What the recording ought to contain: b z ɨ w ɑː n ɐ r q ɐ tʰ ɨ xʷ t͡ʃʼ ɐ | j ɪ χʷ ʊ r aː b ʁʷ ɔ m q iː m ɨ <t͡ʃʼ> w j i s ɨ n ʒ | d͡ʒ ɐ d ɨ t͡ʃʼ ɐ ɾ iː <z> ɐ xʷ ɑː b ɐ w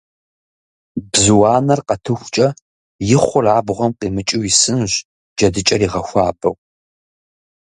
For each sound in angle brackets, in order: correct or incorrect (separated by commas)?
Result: correct, incorrect